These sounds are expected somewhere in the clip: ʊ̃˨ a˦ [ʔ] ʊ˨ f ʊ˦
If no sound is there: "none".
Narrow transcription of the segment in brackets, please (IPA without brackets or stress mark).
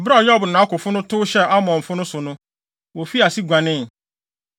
k